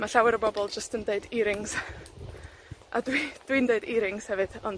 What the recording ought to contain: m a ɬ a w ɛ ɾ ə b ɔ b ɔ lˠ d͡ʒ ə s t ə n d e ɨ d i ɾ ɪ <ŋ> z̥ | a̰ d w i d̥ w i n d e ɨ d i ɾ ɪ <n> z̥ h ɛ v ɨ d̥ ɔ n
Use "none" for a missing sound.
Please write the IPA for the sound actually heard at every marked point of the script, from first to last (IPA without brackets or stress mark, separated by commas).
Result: ŋ, ŋ